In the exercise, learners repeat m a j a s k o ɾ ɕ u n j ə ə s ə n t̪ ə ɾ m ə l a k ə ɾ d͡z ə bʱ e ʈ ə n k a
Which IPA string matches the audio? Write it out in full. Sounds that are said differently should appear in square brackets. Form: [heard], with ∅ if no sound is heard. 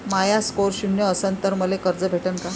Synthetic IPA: m a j a s k o ɾ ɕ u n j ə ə s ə n t̪ ə ɾ m ə l [e] k ə ɾ d͡z ə bʱ e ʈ ə n k a